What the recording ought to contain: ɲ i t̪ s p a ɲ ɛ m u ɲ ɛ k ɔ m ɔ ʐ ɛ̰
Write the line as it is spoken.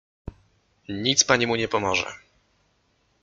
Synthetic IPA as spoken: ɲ i t̪ s p a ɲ i m u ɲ ɛ p ɔ m ɔ ʐ ɛ̰